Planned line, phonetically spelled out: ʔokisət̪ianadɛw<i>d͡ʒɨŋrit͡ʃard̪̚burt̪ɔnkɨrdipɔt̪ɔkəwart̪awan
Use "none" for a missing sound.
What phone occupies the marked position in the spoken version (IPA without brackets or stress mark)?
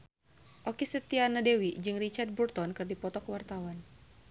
i